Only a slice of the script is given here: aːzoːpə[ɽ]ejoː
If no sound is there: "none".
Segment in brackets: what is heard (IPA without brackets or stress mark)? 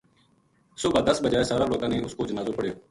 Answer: ɽ